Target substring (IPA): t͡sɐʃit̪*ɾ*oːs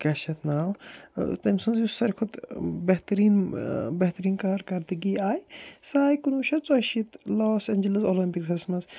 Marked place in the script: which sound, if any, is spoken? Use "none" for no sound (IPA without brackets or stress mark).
l